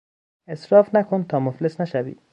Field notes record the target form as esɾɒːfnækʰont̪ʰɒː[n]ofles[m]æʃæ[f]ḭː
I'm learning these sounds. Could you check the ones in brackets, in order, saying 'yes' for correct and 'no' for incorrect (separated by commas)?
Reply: no, no, no